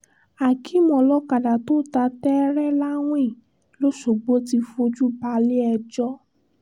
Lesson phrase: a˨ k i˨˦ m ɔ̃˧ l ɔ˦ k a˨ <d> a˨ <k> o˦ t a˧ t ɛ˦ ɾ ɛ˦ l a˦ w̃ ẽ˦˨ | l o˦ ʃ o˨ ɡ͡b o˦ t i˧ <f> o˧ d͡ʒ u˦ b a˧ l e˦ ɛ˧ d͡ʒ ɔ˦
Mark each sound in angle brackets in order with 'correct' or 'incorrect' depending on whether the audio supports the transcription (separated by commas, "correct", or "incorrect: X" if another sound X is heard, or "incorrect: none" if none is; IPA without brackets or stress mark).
correct, incorrect: t, correct